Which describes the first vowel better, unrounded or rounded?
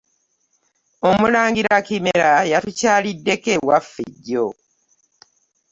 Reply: rounded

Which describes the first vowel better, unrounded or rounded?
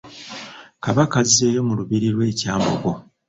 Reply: unrounded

